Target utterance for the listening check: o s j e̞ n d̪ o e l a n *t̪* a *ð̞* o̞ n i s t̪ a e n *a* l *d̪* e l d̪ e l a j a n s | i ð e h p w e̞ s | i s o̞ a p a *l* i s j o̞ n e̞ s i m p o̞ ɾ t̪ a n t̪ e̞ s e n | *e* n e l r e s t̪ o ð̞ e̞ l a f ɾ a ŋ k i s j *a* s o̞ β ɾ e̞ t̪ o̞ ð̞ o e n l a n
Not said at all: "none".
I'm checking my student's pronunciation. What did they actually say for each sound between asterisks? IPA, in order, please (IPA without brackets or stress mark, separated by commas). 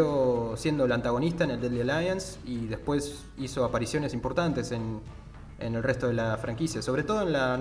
t̪, ɣ̞, e, d̪, ɾ, e, a